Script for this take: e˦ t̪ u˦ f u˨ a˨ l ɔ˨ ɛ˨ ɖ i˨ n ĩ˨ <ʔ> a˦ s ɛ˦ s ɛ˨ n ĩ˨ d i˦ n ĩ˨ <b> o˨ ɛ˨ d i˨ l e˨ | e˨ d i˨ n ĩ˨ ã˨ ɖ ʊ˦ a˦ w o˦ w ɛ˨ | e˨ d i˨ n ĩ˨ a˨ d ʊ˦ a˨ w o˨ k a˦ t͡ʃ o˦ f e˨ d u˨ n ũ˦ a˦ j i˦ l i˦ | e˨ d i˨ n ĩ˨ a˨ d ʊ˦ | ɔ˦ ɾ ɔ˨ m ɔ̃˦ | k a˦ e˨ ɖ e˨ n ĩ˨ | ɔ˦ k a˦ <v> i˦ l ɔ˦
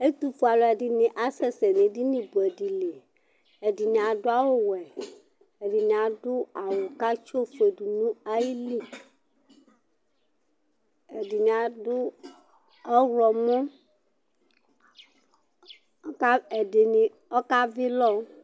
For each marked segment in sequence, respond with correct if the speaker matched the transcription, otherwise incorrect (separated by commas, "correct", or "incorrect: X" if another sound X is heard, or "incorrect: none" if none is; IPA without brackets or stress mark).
correct, correct, correct